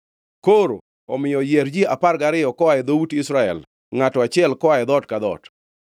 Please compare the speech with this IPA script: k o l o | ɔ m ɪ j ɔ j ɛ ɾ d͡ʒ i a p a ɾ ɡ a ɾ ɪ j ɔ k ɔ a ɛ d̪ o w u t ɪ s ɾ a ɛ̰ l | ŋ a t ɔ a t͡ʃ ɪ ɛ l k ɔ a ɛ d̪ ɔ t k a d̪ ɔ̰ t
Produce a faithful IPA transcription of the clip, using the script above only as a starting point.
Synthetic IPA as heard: k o ɾ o | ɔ m ɪ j ɔ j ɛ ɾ d͡ʒ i a p a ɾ ɡ a ɾ ɪ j ɔ k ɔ a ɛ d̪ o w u t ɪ s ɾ a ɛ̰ l | ŋ a t ɔ a t͡ʃ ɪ ɛ l k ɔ a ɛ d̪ ɔ t k a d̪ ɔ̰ t